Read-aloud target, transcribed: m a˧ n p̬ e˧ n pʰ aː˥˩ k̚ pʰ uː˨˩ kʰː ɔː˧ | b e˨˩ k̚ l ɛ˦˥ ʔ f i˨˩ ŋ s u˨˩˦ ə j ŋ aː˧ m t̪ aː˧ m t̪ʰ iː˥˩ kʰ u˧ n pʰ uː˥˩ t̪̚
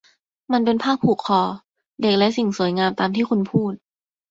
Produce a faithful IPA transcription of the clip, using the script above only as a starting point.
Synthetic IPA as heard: m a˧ n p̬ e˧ n pʰ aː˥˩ k̚ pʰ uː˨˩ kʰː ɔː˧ | d e˨˩ k̚ l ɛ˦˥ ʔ s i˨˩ ŋ s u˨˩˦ ə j ŋ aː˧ m t̪ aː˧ m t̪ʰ iː˥˩ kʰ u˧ n pʰ uː˥˩ t̪̚